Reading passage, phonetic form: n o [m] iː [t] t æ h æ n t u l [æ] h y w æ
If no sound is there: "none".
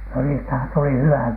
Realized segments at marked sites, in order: n, s, i

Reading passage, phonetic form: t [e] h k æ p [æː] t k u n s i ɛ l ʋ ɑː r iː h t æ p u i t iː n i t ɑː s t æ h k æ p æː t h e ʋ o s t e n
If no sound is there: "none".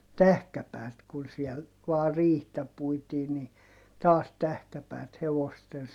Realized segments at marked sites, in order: æ, æː

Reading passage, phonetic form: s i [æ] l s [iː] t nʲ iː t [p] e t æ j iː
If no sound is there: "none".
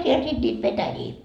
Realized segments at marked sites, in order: e, i, p

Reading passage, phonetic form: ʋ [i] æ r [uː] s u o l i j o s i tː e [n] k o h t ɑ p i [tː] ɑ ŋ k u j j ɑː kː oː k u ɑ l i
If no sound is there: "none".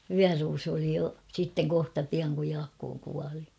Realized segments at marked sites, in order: y, uː, ŋ, none

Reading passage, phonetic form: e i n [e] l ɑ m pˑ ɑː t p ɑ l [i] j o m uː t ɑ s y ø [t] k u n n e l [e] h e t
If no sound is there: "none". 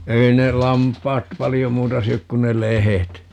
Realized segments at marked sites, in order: e, i, k, e

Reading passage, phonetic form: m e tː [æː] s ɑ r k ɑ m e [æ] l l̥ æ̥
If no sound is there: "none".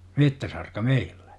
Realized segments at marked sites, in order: æ, i

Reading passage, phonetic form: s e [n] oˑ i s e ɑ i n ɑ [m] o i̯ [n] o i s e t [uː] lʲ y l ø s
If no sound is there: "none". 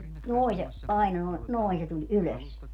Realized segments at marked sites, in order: n, n, n, u

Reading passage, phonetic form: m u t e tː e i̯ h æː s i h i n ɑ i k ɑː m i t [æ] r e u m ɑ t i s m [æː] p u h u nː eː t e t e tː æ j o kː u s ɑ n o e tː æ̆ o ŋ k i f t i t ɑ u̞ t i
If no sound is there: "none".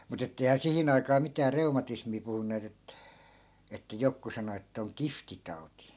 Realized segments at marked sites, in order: æː, iː

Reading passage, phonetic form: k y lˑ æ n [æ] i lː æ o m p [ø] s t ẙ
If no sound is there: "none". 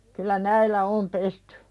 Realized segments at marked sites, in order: æ, e

